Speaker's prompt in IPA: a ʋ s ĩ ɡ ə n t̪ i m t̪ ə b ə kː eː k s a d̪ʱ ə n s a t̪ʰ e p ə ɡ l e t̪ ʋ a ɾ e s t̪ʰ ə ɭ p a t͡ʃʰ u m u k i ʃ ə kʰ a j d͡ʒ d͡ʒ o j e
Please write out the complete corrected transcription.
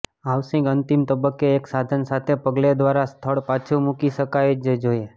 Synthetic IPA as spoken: a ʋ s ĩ ɡ ə n t̪ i m t̪ ə b ə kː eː k s a d̪ʱ ə n s a t̪ʰ e p ə ɡ l e d̪ ʋ a ɾ a s t̪ʰ ə ɭ p a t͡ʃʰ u m u k i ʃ ə k a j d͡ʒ d͡ʒ o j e